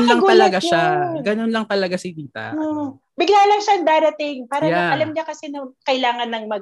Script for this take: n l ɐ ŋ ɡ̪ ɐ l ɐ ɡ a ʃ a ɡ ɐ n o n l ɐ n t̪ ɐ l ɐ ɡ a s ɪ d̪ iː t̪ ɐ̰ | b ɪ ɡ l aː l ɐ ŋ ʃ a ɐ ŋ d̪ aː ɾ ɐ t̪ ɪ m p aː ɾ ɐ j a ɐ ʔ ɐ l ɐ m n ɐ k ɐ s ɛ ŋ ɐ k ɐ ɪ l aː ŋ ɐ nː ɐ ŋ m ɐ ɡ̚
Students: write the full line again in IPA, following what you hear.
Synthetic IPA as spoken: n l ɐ ŋ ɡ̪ ɐ l ɐ ɡ a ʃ a ɡ ɐ n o n l ɐ ŋ t̪ ɐ l ɐ ɡ a s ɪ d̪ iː t̪ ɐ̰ | b ɪ ɡ l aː l ɐ ŋ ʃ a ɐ ŋ d̪ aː ɾ ɐ t̪ ɪ ŋ p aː ɾ ɐ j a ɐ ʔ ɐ l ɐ m ɲ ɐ k ɐ s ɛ n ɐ k ɐ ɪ l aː ŋ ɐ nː ɐ ŋ m ɐ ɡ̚